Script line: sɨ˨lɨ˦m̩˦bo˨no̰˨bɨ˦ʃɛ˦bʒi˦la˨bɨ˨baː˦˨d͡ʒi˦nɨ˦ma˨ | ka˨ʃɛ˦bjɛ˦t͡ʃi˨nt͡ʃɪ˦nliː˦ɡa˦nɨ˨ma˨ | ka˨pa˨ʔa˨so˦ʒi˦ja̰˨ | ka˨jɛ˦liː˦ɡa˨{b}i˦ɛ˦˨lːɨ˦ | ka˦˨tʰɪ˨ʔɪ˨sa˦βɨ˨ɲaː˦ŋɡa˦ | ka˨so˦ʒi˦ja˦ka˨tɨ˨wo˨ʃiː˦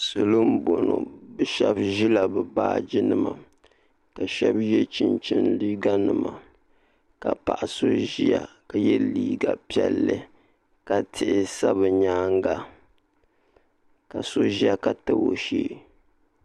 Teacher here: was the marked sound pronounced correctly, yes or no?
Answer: no